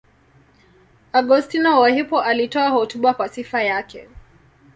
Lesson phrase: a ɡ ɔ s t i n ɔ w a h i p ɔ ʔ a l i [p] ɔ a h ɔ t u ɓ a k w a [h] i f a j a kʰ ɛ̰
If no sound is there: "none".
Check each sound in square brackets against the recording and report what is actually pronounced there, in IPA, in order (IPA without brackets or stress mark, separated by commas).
t, s